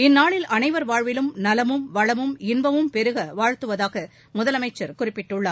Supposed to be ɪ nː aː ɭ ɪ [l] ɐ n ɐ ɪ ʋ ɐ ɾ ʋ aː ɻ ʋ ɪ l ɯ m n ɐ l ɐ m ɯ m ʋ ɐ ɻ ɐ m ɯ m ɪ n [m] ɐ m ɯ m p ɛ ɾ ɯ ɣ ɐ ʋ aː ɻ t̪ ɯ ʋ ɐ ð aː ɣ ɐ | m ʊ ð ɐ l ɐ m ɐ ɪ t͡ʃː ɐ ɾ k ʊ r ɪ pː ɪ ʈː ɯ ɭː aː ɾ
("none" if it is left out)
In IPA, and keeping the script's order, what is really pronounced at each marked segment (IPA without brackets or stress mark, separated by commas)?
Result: l, b